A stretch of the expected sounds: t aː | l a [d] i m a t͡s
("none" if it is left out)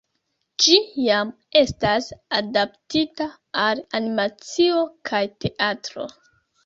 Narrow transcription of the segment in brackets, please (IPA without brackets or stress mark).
n